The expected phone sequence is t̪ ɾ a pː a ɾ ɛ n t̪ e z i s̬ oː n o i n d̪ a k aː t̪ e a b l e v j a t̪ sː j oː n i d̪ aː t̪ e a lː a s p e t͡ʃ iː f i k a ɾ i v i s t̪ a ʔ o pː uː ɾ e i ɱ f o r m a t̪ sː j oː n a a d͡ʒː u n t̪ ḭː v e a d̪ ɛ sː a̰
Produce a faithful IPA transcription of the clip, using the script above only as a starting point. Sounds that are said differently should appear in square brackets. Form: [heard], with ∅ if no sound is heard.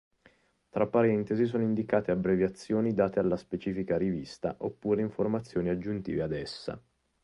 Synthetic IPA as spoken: t̪ ɾ a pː a ɾ ɛ n t̪ e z i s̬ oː n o i n d̪ [i] k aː t̪ e a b [ɾ] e v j a t̪ sː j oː n i d̪ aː t̪ e a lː a s p e t͡ʃ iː f i k a ɾ i v i s t̪ a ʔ o pː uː ɾ e i ɱ f o r m a t̪ sː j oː n [i] a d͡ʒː u n t̪ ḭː v e a d̪ ɛ sː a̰

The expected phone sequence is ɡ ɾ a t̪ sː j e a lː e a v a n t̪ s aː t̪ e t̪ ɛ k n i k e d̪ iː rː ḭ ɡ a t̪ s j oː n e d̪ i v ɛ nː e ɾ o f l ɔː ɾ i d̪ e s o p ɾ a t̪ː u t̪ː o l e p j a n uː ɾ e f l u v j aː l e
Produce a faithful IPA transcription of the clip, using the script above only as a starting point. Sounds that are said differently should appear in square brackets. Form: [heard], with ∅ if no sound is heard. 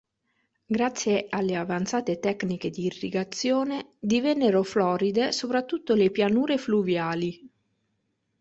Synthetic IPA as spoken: ɡ ɾ a t̪ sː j e a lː e a v a n t̪ s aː t̪ e t̪ ɛ k n i k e d̪ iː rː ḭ ɡ a t̪ s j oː n e d̪ i v ɛ nː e ɾ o f l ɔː ɾ i d̪ e s o p ɾ a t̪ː u t̪ː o l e p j a n uː ɾ e f l u v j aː l [i]

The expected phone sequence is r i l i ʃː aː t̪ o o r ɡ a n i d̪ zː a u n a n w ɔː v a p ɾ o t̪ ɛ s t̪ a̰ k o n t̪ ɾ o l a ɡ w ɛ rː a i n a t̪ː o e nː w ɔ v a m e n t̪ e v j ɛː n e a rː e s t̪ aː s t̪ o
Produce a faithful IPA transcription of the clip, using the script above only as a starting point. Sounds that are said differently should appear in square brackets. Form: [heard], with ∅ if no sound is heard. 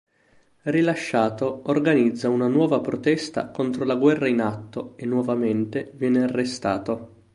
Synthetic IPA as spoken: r i l [a] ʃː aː t̪ o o r ɡ a n i d̪ zː a u n a n w ɔː v a p ɾ o t̪ ɛ s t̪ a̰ k o n t̪ ɾ o l a ɡ w ɛ rː a i n a t̪ː o e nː w ɔ v a m e n t̪ e v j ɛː n e a rː e s t̪ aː [∅] t̪ o

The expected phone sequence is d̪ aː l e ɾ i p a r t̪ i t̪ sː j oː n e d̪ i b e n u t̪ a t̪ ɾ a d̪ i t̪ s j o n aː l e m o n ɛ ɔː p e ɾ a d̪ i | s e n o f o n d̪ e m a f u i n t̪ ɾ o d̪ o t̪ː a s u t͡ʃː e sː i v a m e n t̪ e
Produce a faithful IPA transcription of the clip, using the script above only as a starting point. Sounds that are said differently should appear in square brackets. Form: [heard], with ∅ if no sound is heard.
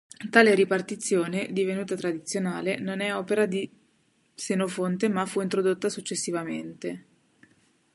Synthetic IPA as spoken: [t̪] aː l e ɾ i p a r t̪ i t̪ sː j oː n e d̪ i [v] e n [uː] t̪ a t̪ ɾ a d̪ i t̪ s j o n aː l e [n] o n ɛ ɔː p e ɾ a d̪ i | s e n o f o n [t̪] e m a f u i n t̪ ɾ o d̪ o t̪ː a s u t͡ʃː e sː i v a m e n t̪ e

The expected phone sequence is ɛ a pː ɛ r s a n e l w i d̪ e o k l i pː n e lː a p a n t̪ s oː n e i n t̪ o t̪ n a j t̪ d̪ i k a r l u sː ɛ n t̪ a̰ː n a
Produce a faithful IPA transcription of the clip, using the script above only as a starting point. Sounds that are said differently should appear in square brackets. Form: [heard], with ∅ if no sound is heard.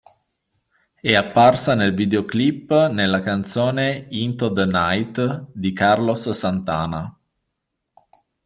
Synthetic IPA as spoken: ɛ a pː [a] r s a n e l [v] i d̪ e o k l i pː n e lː a [k] a n t̪ s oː n e i n t̪ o [d̪] n a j t̪ d̪ i k a r l [o] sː [a] n t̪ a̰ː n a

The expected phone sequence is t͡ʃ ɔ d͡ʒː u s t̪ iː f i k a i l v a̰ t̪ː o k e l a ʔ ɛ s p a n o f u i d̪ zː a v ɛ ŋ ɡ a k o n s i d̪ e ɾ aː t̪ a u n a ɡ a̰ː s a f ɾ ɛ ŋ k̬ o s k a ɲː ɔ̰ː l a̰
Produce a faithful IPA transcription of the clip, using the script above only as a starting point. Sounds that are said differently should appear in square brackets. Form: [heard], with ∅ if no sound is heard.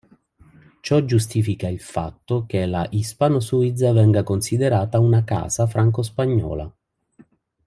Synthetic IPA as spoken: t͡ʃ ɔ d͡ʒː u s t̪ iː f i k a i l [f] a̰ t̪ː o k e l a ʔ [i] s p a n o [s] u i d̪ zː a v ɛ ŋ ɡ a k o n s i d̪ e ɾ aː t̪ a u n a [k] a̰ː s a f ɾ [a] ŋ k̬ o s [p] a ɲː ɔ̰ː l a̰

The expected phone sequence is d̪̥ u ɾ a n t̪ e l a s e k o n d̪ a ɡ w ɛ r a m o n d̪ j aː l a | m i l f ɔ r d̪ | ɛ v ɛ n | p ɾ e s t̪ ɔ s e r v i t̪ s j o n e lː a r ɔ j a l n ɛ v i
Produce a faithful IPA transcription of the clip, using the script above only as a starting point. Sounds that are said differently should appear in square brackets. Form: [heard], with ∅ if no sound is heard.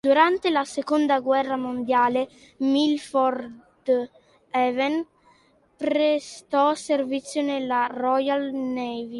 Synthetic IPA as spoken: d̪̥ u ɾ a n t̪ e l a s e k o n d̪ a ɡ w ɛ [rː] a m o n d̪ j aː l [e] | m i l f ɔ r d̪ | ɛ v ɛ n | p ɾ e s t̪ ɔ s e r v i t̪ [sː] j o n e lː a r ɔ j a l n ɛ v i

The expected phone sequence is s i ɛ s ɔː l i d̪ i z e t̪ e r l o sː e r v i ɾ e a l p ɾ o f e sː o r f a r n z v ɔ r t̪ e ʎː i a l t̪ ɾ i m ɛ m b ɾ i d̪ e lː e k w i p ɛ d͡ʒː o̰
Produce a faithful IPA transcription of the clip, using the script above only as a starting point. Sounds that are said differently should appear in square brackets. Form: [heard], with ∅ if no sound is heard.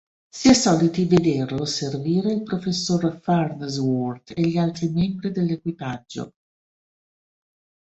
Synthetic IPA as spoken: s i ɛ s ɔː l i [t̪] i [v] e [d̪] e r l o [s] e r v [iː] ɾ e [i] l p ɾ o f e sː o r f a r n z [w] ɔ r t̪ e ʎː i a l t̪ ɾ i m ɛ m b ɾ i d̪ e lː e k w i p [a] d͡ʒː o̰

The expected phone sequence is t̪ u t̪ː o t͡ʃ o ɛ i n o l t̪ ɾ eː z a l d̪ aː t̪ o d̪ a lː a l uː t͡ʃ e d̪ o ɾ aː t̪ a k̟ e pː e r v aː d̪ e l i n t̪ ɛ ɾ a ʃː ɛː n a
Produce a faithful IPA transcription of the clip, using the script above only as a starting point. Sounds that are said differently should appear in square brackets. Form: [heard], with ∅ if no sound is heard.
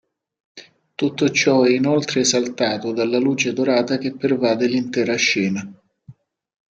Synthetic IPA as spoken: t̪ u t̪ː o t͡ʃ [ɔ] ɛ i n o l t̪ ɾ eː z a l [t̪] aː t̪ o d̪ a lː a l uː t͡ʃ e d̪ o ɾ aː t̪ a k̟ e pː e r v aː d̪ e l i n t̪ [ɛː] ɾ a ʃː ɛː n a

